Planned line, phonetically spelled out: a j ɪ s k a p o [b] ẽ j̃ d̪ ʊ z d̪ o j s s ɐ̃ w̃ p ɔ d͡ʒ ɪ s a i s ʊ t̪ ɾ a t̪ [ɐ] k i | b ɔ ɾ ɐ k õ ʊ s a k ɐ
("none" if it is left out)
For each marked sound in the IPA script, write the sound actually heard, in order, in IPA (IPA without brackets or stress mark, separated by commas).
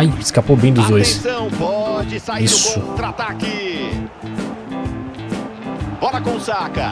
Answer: b, a